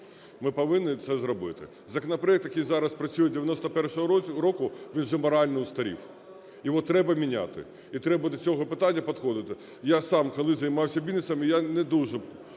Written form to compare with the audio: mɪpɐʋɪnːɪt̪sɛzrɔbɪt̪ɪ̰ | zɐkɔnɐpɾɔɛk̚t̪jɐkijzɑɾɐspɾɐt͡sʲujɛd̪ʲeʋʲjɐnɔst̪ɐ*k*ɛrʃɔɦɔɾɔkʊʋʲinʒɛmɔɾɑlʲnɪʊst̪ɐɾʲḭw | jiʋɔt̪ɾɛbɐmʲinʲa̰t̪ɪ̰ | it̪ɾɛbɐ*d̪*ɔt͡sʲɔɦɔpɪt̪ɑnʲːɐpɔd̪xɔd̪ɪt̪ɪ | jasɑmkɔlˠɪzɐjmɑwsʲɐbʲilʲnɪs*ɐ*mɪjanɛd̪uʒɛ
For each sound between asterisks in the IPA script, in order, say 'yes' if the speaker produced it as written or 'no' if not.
no, yes, yes

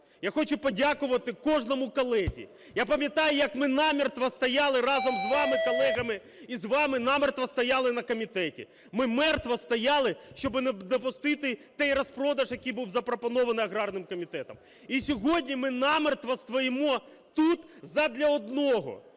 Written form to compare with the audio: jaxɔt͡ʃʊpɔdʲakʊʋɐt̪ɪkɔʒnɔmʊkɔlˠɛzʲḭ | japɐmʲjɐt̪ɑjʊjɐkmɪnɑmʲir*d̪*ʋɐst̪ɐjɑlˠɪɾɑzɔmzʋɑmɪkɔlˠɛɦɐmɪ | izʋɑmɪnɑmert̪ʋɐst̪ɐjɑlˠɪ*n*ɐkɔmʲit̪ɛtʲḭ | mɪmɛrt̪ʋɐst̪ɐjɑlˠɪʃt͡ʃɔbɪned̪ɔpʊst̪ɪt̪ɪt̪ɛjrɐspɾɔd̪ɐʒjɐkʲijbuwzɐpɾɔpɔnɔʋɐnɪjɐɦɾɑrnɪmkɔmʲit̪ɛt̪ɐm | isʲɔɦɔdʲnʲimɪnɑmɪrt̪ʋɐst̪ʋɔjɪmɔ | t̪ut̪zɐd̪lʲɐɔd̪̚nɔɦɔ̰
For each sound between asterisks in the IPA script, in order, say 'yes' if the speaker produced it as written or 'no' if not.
no, yes

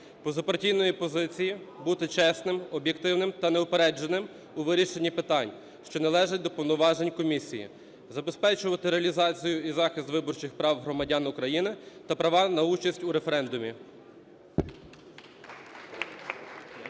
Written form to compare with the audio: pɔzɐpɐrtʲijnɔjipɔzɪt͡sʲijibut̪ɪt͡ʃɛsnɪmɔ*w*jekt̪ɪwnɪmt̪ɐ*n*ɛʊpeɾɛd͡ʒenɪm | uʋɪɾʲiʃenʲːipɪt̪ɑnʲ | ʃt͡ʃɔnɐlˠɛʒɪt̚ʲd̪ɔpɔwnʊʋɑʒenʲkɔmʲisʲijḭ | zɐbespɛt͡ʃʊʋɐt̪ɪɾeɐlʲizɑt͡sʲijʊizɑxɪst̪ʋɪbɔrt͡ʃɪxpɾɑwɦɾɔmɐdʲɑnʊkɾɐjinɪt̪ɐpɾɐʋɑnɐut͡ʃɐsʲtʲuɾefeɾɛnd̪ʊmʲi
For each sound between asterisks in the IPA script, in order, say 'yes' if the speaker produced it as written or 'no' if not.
no, yes

